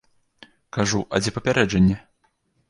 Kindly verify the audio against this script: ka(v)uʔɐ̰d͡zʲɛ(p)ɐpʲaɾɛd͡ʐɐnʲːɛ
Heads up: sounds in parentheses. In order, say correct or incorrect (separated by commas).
incorrect, correct